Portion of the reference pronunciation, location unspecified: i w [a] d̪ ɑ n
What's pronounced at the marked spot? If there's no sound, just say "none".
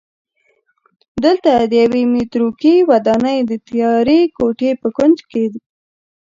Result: a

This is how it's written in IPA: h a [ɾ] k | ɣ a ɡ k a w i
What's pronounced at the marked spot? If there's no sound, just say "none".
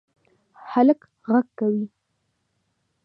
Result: l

